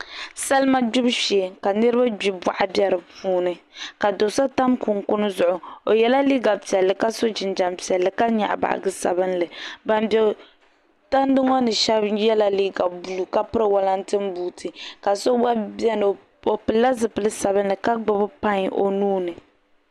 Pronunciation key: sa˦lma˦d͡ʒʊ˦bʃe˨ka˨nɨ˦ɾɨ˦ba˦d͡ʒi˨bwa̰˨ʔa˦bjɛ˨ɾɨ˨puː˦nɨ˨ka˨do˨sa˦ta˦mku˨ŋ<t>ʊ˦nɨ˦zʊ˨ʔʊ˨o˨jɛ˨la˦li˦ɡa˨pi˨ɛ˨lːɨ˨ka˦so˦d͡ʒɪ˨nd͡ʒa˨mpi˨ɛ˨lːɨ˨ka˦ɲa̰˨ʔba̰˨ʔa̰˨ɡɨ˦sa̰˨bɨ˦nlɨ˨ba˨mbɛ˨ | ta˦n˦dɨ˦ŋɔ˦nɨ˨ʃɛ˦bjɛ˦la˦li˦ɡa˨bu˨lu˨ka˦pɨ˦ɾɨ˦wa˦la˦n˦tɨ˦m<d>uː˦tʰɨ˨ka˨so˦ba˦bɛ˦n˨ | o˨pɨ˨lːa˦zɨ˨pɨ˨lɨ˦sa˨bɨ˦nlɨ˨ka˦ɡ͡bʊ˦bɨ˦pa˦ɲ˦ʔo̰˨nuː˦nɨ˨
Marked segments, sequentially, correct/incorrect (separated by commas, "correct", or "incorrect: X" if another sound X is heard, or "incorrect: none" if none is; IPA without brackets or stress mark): incorrect: k, incorrect: b